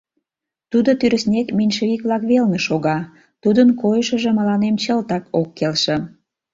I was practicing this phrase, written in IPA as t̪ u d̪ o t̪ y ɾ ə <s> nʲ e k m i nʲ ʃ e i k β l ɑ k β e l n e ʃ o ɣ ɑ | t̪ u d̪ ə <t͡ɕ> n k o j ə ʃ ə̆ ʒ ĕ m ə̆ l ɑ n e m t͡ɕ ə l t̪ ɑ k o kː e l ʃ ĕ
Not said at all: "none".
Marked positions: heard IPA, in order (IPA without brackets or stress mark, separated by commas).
s, none